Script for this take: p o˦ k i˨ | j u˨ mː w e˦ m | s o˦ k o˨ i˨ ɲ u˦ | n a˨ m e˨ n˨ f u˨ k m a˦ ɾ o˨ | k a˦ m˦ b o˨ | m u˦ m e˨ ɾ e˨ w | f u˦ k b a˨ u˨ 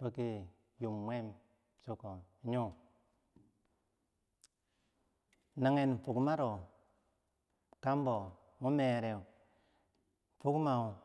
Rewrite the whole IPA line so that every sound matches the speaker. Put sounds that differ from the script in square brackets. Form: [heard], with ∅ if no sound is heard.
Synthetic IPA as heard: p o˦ k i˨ | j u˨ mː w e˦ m | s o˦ k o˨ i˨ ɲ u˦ | n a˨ [ŋ] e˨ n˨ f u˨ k m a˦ ɾ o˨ | k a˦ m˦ b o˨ | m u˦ m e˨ ɾ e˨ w | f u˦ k [m] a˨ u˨